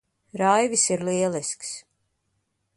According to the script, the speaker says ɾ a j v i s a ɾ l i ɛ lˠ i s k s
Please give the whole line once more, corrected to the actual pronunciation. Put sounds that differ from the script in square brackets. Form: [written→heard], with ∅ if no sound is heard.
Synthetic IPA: ɾ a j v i s [a→i] ɾ l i ɛ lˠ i s k s